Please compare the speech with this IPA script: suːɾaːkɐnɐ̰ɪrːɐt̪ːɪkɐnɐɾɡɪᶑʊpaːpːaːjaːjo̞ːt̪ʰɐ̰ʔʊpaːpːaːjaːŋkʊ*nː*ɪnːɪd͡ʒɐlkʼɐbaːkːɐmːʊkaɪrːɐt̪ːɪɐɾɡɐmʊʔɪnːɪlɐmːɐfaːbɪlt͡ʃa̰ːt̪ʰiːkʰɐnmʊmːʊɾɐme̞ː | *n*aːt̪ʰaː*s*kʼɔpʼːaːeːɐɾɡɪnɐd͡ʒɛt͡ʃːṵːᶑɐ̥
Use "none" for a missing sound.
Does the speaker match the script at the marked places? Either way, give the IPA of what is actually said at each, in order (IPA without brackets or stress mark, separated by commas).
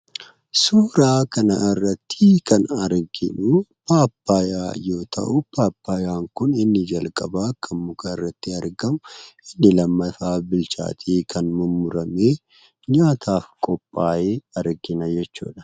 n, ɲ, f